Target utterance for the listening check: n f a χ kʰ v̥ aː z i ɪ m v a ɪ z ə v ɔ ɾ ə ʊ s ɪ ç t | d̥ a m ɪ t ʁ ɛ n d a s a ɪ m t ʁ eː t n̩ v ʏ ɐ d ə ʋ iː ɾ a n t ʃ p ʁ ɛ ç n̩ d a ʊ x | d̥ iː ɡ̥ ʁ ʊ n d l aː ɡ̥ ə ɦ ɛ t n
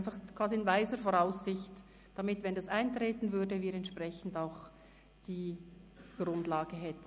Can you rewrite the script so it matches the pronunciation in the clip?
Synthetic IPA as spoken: n f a χ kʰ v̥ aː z i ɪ n v a ɪ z ə f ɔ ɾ a ʊ s ɪ ç t | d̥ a m ɪ t v ɛ n d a s a ɪ n t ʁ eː t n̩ v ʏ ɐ d ə v iː ɾ ɛ n t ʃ p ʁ ɛ ç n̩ d a ʊ x | d̥ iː ɡ̥ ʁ ʊ n d l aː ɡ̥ ə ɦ ɛ t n